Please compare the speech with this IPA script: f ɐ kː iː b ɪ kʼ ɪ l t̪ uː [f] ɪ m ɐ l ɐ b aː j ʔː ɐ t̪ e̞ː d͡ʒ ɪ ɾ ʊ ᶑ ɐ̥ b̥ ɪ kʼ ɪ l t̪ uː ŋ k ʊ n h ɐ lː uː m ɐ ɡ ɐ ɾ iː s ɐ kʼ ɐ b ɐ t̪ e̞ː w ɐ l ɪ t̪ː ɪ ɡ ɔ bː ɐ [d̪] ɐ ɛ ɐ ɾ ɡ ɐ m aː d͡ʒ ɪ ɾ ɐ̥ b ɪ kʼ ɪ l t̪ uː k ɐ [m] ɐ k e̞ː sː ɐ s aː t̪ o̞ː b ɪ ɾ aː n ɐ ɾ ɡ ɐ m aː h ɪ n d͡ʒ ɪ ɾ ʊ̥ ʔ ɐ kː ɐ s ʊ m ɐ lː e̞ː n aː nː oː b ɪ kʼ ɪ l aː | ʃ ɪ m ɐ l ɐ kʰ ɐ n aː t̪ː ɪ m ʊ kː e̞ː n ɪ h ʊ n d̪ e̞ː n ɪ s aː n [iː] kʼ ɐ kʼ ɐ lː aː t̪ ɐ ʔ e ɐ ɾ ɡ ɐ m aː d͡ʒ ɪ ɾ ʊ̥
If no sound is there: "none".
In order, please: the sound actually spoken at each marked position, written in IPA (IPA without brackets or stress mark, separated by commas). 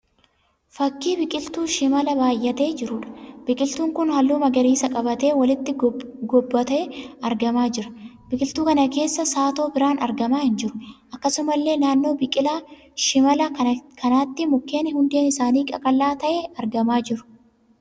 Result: ʃ, t̪, n, iː